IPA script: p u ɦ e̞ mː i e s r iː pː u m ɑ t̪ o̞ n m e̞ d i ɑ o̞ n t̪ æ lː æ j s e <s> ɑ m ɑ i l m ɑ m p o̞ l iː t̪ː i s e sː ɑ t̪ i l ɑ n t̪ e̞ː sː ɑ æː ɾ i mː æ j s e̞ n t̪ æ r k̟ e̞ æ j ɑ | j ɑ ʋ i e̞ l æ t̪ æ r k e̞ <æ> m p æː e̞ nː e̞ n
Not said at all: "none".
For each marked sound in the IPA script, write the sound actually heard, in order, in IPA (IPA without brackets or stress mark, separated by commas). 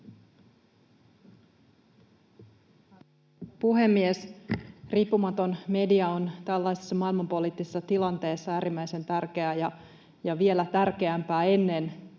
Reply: sː, æ